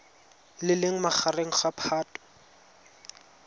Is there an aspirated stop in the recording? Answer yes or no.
yes